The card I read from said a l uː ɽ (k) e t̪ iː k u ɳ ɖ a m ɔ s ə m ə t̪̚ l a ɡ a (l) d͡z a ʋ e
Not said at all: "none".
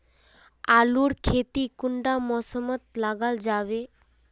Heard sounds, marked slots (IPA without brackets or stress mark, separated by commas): kʰ, l